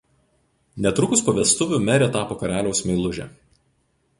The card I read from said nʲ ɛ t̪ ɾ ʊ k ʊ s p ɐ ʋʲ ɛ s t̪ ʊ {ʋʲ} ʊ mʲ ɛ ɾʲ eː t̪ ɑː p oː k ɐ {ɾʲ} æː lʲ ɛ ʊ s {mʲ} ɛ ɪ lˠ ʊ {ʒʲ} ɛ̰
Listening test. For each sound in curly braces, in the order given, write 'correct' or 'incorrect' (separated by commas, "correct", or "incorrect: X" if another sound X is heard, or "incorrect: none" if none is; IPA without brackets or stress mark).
correct, correct, correct, correct